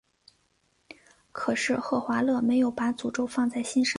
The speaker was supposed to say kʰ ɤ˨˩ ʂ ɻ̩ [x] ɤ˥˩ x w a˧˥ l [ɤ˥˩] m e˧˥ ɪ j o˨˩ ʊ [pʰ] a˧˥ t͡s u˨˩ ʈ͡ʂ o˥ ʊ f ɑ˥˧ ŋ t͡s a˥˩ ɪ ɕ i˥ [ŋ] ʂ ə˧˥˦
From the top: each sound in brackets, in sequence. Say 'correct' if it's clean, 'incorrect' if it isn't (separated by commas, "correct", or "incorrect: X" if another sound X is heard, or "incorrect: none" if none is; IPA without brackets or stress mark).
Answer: correct, correct, incorrect: p, incorrect: n